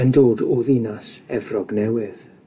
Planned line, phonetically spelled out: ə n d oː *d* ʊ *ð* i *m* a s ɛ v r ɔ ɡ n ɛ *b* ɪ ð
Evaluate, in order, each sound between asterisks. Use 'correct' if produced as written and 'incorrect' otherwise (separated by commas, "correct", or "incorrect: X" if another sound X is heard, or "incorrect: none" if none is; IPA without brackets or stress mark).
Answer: correct, correct, incorrect: n, incorrect: w